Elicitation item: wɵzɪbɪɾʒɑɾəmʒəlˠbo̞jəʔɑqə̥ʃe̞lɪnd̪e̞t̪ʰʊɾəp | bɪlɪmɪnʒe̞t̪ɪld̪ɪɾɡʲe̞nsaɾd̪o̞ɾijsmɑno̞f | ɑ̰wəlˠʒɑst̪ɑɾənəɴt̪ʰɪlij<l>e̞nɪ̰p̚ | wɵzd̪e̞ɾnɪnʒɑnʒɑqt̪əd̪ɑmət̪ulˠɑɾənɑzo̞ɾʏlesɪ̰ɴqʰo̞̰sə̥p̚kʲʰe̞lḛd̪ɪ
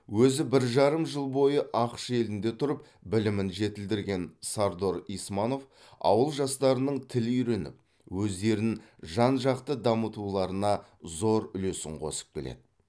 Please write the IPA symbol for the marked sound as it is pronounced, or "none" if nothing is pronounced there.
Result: ɾ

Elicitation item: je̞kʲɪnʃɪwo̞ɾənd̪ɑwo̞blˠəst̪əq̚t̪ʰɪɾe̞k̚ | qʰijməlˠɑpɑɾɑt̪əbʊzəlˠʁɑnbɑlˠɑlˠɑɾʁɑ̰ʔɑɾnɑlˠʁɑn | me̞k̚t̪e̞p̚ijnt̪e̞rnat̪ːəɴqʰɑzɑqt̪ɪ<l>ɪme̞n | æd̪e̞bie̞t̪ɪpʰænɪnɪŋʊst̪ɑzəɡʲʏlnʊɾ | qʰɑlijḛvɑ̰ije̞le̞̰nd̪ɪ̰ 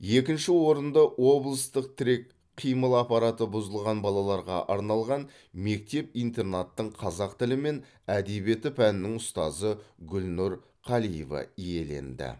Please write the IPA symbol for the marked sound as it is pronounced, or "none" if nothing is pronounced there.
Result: l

